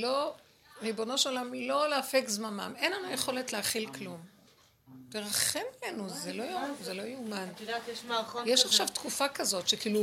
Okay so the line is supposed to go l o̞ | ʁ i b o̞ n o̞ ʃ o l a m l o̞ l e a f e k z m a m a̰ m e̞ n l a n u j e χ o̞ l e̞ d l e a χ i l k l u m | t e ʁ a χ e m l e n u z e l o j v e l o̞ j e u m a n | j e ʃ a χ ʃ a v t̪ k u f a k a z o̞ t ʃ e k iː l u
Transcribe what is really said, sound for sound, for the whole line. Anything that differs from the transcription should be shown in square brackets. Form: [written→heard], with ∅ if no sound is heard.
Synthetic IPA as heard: l o̞ | ʁ i b o̞ n o̞ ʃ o l a m l o̞ l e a f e k z m a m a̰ m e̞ n l a n u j e χ o̞ l e̞ [d→t] l e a χ i l k l u m | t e ʁ a χ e m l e n u z e l o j [v→z] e l o̞ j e u m a n | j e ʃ a χ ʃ a v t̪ k u f a k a z o̞ t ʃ e k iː l u